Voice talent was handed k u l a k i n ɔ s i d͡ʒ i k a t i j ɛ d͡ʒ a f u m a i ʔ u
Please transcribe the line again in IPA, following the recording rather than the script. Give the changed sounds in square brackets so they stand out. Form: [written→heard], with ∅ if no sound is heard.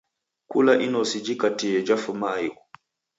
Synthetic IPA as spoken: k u l a [k→ʔ] i n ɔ s i d͡ʒ i k a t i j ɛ d͡ʒ a f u m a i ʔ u